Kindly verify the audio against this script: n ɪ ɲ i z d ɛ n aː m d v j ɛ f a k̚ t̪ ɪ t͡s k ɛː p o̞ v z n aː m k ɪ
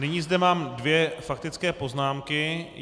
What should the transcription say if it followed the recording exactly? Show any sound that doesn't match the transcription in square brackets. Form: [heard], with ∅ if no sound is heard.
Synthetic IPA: n ɪ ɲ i z d ɛ [m] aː m d v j ɛ f a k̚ t̪ ɪ t͡s k ɛː p o̞ [∅] z n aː m k ɪ

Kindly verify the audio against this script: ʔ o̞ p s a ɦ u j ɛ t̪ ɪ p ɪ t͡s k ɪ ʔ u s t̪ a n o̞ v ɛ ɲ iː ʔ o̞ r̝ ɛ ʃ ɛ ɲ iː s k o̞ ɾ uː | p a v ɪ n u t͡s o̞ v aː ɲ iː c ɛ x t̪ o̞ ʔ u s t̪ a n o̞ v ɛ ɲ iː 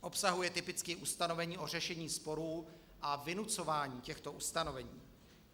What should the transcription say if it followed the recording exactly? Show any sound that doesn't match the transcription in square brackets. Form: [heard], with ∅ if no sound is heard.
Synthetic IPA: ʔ o̞ p s a ɦ u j ɛ t̪ ɪ p ɪ t͡s k ɪ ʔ u s t̪ a n o̞ v ɛ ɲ iː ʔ o̞ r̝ ɛ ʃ ɛ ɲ iː s [p] o̞ ɾ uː | [ʔ] a v ɪ n u t͡s o̞ v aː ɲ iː c ɛ x t̪ o̞ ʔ u s t̪ a n o̞ v ɛ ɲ iː

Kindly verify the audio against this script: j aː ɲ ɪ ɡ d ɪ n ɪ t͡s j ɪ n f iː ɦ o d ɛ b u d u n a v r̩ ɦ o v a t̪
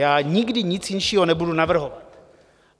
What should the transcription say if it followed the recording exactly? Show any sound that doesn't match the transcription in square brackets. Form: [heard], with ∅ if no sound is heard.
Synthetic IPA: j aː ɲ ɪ ɡ d ɪ [ɲ] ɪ t͡s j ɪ n [ʃ] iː ɦ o [n] ɛ b u d u n a v r̩ ɦ o v a t̪

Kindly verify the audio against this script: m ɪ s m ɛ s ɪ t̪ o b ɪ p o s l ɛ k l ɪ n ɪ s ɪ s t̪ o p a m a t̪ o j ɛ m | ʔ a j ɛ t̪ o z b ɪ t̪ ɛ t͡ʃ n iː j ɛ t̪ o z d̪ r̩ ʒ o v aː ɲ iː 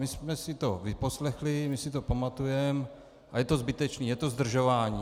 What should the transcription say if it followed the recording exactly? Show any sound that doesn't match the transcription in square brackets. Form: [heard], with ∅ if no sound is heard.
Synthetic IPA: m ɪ s m ɛ s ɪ t̪ o [v] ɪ p o s l ɛ [x] l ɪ [m] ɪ s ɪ [∅] t̪ o p a m a t̪ [u] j ɛ m | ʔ a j ɛ t̪ o z b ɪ t̪ ɛ t͡ʃ n iː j ɛ t̪ o z d̪ r̩ ʒ o v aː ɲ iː

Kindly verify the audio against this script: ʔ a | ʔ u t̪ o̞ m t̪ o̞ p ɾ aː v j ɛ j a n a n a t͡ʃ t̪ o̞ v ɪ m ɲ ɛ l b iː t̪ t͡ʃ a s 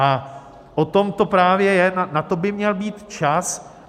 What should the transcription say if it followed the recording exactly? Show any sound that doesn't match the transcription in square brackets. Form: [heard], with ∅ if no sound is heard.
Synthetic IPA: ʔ a | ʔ [o] t̪ o̞ m t̪ o̞ p ɾ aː v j ɛ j [ɛ] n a n a [∅] t̪ o̞ [b] ɪ m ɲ ɛ l b iː t̪ t͡ʃ a s

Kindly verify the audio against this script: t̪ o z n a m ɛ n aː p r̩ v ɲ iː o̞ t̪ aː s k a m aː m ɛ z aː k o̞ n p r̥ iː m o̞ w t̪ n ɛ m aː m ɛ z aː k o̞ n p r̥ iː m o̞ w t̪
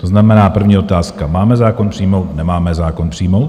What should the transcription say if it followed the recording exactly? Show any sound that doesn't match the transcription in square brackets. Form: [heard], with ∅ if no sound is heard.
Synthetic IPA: t̪ o z n a m ɛ n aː p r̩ v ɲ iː o̞ t̪ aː s k a m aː m ɛ z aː k o̞ n p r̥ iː m o̞ w t̪ n ɛ m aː m ɛ z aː k o̞ n p r̥ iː m o̞ w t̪

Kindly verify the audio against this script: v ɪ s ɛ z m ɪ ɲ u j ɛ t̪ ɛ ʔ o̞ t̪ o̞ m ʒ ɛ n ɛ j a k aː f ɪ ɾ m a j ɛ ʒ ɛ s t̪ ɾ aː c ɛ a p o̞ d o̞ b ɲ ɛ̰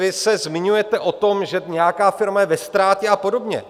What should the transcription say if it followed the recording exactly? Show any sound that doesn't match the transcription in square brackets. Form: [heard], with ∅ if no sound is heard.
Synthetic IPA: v ɪ s ɛ z m ɪ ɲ u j ɛ t̪ ɛ ʔ o̞ t̪ o̞ m ʒ ɛ [ɲ] ɛ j a k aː f ɪ ɾ m a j ɛ [v] ɛ s t̪ ɾ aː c ɛ a p o̞ d o̞ b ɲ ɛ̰

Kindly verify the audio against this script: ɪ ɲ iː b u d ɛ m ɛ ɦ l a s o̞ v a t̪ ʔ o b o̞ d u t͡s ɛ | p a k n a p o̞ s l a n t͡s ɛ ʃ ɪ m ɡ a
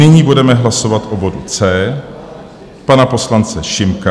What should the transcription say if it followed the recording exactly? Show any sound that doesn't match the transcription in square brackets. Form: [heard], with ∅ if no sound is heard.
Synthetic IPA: ɪ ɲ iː b u d ɛ m ɛ ɦ l a s o̞ v a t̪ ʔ o b o̞ d u t͡s [ɛː] | p a [∅] n a p o̞ s l a n t͡s ɛ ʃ ɪ m [k] a

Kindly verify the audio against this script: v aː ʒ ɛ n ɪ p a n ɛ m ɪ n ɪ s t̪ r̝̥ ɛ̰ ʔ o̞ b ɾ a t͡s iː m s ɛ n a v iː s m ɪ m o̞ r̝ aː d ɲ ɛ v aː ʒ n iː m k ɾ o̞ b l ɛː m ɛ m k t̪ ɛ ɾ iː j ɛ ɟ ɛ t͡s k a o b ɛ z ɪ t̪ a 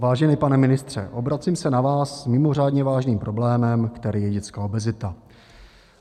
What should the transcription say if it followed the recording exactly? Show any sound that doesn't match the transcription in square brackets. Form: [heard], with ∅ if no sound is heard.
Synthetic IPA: v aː ʒ ɛ n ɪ p a n ɛ m ɪ n ɪ s t̪ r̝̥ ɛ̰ ʔ o̞ b ɾ a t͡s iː m s ɛ n a v [aː] s m ɪ m o̞ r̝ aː d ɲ ɛ v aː ʒ n iː m [p] ɾ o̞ b l ɛː m ɛ m k t̪ ɛ ɾ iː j ɛ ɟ ɛ t͡s k a o b ɛ z ɪ t̪ a

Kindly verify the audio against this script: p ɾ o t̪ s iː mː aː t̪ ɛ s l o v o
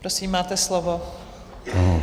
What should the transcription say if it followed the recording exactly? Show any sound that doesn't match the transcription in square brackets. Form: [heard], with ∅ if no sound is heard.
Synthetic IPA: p ɾ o [∅] s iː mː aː t̪ ɛ s l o v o

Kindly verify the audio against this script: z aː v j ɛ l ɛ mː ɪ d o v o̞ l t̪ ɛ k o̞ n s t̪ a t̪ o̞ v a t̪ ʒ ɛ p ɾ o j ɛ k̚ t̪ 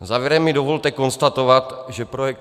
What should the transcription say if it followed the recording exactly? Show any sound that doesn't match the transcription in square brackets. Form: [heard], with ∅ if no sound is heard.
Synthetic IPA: z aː v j ɛ [ɾ] ɛ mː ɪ d o v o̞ l t̪ ɛ k o̞ n s t̪ a t̪ o̞ v a t̪ ʒ ɛ p ɾ o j ɛ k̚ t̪

